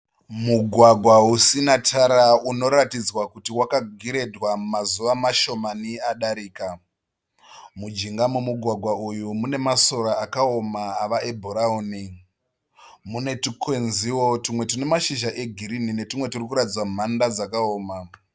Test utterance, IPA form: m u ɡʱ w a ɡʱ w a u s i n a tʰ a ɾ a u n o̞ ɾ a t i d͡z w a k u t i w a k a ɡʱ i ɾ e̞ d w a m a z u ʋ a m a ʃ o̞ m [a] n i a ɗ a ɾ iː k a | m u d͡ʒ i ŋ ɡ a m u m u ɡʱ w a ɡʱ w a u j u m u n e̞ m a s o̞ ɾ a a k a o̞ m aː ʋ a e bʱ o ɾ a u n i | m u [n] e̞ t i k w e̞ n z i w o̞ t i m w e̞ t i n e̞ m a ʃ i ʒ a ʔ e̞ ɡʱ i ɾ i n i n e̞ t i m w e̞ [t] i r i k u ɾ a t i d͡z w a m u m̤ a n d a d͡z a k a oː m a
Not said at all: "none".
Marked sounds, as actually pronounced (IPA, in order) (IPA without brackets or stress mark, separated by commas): a, n, t